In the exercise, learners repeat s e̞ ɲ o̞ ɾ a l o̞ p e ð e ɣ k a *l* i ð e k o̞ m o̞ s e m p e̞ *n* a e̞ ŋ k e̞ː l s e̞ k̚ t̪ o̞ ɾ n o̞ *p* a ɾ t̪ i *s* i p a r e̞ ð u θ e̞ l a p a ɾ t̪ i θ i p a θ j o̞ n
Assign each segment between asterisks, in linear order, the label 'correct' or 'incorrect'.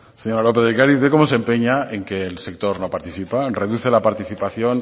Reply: incorrect: ɾ, incorrect: ɲ, correct, incorrect: θ

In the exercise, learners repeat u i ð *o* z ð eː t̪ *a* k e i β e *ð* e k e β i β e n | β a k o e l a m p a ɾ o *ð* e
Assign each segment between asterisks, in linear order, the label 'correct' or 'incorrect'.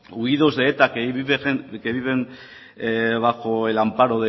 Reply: correct, correct, incorrect: none, correct

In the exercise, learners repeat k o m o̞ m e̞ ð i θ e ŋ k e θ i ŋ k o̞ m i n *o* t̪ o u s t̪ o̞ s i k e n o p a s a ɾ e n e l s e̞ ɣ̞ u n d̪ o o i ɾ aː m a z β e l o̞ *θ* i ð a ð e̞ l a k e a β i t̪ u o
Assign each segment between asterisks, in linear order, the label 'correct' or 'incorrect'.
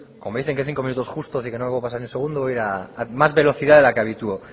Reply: incorrect: u, correct

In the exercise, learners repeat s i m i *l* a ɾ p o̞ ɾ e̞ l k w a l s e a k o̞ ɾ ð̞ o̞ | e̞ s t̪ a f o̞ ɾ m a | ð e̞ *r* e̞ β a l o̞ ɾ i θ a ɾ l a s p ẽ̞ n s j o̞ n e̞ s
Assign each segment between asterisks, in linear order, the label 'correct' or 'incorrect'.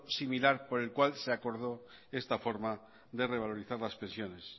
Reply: correct, correct

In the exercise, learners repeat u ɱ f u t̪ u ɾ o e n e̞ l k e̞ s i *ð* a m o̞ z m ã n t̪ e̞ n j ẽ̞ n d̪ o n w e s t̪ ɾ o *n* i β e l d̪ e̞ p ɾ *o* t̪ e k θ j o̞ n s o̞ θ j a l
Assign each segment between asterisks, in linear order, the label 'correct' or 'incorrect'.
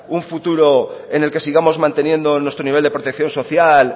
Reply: incorrect: ɣ, correct, correct

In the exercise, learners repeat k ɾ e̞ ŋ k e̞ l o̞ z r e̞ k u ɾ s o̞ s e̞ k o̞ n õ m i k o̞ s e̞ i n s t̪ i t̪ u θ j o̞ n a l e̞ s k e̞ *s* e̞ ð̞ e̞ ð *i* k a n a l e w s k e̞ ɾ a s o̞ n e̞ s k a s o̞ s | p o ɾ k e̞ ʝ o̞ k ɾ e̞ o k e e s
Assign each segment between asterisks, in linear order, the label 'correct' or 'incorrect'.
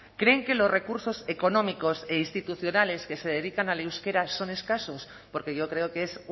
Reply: correct, correct

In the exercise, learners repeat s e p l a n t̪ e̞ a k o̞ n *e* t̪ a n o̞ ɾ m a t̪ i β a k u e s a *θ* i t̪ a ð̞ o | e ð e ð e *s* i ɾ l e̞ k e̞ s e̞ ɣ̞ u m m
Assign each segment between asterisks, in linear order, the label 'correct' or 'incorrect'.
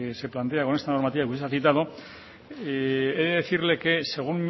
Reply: correct, correct, incorrect: θ

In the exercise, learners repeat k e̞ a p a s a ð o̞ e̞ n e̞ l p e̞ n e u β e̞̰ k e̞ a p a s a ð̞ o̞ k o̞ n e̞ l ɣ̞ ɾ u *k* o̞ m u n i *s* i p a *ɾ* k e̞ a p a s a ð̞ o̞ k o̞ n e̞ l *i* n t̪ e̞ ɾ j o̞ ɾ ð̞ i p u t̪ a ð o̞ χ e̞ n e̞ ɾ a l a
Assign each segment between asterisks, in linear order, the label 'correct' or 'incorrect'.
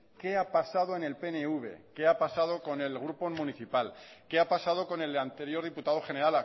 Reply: incorrect: p, incorrect: θ, incorrect: l, incorrect: a

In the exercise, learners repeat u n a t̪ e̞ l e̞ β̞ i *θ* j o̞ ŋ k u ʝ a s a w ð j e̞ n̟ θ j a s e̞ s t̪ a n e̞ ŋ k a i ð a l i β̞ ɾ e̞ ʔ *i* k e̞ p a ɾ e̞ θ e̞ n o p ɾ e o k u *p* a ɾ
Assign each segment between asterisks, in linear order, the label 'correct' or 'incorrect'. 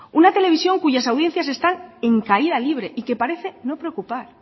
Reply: incorrect: s, correct, correct

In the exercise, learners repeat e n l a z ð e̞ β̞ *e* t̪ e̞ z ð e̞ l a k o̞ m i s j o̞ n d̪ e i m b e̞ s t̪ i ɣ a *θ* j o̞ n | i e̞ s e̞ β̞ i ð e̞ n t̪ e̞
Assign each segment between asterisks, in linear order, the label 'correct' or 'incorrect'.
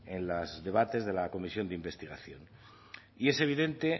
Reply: incorrect: a, correct

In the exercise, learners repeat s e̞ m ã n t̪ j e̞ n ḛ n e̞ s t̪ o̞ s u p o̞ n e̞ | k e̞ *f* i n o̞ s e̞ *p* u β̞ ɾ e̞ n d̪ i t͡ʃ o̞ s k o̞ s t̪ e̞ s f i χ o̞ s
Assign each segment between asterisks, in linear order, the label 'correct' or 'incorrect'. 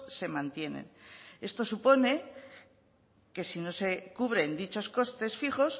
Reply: incorrect: s, incorrect: k

